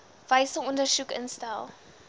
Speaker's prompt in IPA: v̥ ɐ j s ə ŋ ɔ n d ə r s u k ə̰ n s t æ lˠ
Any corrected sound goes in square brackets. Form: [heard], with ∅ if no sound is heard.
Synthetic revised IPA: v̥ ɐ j s ə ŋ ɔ n d ə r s u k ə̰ n s t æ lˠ

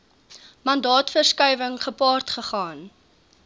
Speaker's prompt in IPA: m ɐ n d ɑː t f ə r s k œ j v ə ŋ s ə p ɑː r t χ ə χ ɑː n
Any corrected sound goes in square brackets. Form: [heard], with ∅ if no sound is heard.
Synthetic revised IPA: m ɐ n d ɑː t f ə r s k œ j v ə ŋ [χ] ə p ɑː r t χ ə χ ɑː n

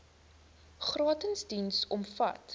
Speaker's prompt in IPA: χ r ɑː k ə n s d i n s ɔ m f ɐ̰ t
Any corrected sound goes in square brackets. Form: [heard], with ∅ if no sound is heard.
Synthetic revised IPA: χ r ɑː [t] ə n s d i n s ɔ m f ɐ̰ t

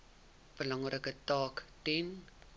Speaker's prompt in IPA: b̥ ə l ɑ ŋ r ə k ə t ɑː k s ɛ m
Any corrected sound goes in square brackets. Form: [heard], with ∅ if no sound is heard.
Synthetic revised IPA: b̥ ə l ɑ ŋ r ə k ə t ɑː k [t] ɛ [n]

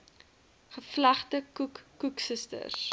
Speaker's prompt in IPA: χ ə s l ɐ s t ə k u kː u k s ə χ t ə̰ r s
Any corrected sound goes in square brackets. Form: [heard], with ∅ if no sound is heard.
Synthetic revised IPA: χ ə [f] l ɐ [χ] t ə k u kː u k s ə [s] t ə̰ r s

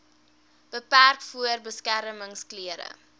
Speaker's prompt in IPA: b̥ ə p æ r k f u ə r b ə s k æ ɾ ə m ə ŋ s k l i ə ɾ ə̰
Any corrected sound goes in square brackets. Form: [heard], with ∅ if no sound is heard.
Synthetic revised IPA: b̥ ə p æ r k f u ə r b ə s k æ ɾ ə m ə ŋ s k l i ə ɾ ə̰

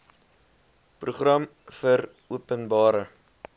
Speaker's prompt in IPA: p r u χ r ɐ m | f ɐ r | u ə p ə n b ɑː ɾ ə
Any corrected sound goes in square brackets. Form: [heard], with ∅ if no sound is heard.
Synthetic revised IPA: p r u χ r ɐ m | f [ə] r | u ə p ə n b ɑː ɾ ə

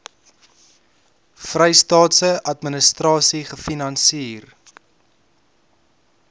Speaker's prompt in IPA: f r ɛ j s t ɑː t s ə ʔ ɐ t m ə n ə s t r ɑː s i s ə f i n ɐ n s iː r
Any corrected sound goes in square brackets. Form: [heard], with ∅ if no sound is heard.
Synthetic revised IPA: f r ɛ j s t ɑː t s ə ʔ ɐ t m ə n ə s t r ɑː s i [χ] ə f i n ɐ n s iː r

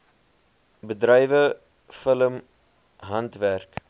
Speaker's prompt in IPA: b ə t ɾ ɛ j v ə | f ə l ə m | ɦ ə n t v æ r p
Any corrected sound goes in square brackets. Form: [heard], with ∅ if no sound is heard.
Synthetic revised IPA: b ə [d] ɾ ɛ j v ə | f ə l ə m | ɦ [ɐ] n t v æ r [k]

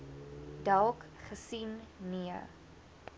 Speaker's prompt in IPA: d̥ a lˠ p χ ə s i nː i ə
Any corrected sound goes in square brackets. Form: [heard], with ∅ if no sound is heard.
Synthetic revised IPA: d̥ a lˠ [k] χ ə s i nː i ə

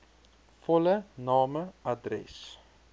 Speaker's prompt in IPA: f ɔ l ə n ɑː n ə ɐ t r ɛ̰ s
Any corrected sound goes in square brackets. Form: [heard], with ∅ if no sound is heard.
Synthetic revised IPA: f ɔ l ə n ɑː [m] ə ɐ [d] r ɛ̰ s

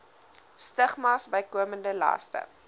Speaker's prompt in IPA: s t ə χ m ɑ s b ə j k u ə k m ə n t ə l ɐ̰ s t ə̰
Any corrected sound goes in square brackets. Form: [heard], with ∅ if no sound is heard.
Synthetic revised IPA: s t ə χ m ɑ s b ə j k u ə [∅] m ə n [d] ə l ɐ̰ s t ə̰

